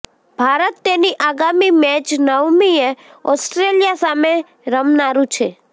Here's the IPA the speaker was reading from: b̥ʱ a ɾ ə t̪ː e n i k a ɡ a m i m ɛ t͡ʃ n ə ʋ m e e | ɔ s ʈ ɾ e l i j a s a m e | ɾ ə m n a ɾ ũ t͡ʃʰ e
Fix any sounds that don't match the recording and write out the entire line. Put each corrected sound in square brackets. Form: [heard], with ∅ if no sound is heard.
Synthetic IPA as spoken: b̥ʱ a ɾ ə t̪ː e n i [ʔ] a ɡ a m i m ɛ t͡ʃ n ə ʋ m [i] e | ɔ s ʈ ɾ e l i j a s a m e | ɾ ə m n a ɾ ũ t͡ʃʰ e